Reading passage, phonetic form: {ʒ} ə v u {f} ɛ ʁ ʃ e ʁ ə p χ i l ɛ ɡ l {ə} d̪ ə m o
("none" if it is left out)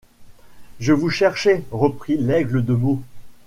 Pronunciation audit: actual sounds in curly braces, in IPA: ʒ, ʃ, ə

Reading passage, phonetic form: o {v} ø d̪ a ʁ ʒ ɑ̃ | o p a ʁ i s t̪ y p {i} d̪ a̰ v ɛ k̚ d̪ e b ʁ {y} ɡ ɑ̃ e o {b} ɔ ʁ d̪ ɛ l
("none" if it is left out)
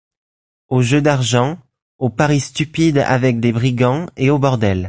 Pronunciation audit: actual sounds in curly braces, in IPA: ʒ, i, i, b

